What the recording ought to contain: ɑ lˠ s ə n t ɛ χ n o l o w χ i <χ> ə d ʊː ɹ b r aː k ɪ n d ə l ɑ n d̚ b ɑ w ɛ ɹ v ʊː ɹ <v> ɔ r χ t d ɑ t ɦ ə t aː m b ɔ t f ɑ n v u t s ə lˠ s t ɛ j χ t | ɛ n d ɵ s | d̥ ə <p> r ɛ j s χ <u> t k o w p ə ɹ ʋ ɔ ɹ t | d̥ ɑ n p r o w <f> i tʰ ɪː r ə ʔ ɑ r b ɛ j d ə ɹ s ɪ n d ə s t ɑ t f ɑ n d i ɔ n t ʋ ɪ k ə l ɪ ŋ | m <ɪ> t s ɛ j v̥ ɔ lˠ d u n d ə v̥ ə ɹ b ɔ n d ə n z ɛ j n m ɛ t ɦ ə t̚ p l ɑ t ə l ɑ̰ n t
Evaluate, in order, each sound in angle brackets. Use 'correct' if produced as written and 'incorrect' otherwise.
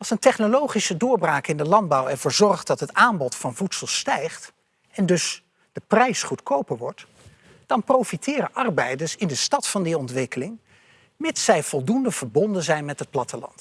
incorrect, incorrect, correct, correct, correct, correct

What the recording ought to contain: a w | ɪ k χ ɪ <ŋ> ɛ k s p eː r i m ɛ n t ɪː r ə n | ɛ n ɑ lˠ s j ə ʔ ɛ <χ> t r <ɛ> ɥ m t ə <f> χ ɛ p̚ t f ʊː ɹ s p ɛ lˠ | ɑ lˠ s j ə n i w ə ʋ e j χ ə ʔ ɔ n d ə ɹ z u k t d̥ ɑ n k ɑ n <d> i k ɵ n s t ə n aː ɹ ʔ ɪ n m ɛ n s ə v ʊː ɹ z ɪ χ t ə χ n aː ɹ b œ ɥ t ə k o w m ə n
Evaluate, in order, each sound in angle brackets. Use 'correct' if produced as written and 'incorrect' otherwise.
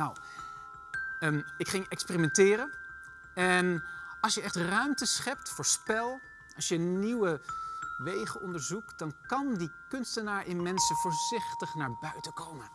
correct, correct, incorrect, incorrect, correct

